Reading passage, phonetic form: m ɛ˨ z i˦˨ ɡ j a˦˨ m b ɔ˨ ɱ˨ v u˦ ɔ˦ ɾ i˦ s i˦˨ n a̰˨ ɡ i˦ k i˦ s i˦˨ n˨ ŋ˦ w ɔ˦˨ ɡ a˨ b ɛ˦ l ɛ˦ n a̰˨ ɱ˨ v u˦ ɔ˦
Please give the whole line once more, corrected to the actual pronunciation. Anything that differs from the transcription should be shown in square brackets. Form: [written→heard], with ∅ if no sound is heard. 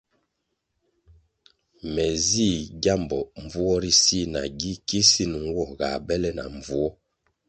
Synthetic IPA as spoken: m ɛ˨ z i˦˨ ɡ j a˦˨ m b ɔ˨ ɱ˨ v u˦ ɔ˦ ɾ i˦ s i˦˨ n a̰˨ ɡ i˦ k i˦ s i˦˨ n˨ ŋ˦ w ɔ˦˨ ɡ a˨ b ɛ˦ l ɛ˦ n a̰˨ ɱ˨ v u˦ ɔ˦